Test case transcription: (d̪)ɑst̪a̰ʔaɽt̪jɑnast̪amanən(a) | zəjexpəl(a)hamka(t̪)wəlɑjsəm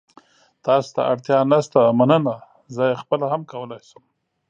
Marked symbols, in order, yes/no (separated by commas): no, yes, yes, no